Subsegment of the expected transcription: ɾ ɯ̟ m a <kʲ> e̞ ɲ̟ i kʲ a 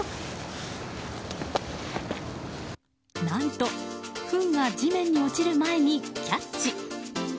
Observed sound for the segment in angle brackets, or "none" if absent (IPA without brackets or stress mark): none